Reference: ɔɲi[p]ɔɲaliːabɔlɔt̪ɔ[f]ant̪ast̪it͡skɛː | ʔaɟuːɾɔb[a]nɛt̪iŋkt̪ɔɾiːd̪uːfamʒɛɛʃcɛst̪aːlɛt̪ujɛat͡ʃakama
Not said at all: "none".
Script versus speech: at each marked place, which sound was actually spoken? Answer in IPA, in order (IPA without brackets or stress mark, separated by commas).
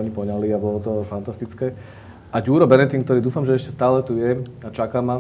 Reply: p, f, ɛ